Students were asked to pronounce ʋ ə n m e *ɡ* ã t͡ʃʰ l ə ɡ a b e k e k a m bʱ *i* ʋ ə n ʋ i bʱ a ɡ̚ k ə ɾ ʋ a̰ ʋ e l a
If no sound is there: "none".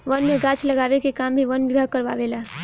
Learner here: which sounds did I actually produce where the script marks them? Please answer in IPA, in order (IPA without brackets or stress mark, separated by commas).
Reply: ɡ, i